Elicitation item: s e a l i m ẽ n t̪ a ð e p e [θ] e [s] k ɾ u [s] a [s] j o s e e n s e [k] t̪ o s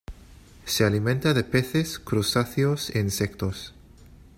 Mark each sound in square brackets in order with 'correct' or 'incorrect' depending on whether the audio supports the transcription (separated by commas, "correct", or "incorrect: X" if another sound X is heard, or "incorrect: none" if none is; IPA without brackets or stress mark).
correct, correct, correct, incorrect: θ, correct